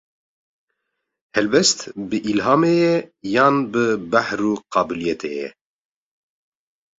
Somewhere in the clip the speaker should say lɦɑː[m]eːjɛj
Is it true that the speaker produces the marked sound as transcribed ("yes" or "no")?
yes